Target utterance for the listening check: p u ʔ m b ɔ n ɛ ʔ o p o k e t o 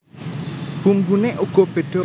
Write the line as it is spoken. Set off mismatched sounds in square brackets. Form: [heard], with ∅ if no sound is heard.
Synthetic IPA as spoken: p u [∅] m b [u] n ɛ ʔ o [k] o [p] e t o